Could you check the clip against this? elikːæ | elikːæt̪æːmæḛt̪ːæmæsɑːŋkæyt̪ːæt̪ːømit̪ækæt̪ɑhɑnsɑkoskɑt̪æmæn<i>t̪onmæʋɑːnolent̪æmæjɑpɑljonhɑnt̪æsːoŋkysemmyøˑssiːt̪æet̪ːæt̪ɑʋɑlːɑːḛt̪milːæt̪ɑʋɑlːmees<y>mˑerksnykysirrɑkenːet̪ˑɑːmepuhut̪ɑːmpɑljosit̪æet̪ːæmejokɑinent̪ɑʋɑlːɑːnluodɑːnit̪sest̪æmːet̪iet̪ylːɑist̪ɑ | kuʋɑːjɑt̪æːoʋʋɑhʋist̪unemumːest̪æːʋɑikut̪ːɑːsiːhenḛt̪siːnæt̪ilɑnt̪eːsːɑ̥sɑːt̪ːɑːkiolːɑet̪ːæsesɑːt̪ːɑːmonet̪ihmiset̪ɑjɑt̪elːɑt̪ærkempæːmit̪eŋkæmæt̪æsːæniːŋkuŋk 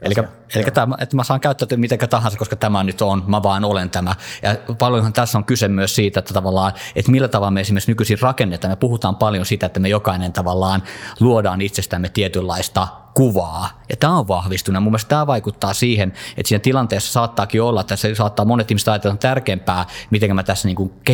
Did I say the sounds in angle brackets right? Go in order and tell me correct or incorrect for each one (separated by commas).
incorrect, incorrect